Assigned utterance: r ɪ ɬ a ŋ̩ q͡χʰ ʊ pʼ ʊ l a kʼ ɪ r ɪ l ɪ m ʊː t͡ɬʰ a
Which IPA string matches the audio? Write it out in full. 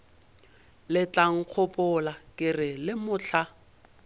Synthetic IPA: l ɪ t͡ɬ a ŋ̩ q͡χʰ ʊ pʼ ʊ l a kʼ ɪ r ɪ l ɪ m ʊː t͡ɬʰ a